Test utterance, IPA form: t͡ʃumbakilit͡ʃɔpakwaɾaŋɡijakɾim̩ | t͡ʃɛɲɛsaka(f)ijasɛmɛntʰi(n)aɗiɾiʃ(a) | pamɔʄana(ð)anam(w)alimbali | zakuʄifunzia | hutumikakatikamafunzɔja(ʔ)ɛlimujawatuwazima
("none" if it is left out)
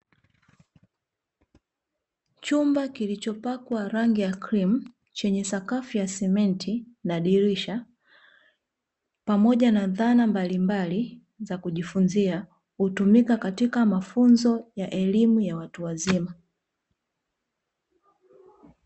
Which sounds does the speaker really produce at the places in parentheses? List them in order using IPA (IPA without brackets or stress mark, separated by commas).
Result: f, n, a, ð, b, ʔ